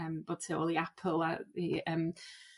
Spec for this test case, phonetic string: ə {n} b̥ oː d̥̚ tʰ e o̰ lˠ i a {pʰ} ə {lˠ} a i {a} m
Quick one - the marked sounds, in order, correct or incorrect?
incorrect, correct, correct, incorrect

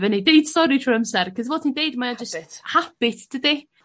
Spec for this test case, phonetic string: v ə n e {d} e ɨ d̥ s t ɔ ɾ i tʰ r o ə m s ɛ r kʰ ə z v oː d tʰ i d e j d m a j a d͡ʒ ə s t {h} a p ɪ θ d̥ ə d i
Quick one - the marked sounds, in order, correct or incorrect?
correct, correct

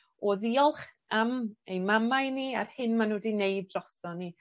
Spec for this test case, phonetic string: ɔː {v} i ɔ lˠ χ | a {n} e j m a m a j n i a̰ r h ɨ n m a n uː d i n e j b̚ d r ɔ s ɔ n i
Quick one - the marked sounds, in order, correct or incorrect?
incorrect, incorrect

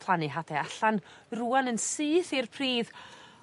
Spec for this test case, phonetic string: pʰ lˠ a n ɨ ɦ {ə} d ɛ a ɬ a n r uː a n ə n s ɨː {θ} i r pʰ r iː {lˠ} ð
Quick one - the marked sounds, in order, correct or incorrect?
incorrect, correct, incorrect

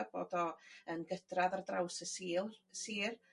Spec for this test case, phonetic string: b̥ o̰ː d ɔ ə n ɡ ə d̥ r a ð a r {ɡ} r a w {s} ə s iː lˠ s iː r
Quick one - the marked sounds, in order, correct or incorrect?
incorrect, correct

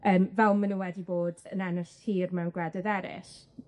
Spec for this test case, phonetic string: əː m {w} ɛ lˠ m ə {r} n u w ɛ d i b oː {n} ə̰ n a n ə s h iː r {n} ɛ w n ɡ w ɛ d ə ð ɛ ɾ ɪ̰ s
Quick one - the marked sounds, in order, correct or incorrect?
incorrect, incorrect, incorrect, incorrect

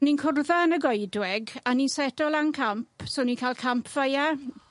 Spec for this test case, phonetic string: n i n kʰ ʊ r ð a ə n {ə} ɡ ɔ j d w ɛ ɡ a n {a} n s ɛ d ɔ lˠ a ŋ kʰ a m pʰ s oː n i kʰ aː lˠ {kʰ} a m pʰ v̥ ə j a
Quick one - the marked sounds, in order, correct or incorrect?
correct, incorrect, correct

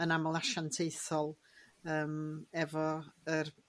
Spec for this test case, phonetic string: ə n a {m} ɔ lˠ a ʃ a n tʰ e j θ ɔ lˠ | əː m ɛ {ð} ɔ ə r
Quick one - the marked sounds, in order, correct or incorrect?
correct, incorrect

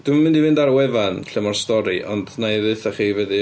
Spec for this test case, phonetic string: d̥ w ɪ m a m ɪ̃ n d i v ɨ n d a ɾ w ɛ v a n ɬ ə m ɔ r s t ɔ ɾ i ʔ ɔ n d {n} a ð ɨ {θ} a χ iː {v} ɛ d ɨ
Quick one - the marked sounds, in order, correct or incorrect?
correct, correct, correct

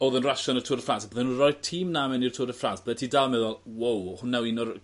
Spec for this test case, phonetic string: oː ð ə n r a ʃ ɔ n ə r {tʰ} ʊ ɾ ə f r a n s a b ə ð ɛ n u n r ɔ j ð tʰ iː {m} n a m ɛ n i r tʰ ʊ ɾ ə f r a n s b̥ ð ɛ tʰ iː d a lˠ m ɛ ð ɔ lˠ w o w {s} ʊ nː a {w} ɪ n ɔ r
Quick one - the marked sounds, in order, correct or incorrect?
correct, correct, incorrect, correct

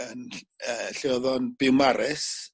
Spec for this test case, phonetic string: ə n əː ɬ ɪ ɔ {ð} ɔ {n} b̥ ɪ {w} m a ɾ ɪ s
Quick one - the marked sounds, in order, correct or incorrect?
correct, correct, correct

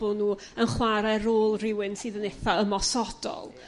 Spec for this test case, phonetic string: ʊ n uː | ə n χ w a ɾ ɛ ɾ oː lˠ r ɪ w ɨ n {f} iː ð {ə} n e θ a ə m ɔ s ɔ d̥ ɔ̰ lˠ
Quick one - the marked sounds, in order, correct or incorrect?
incorrect, correct

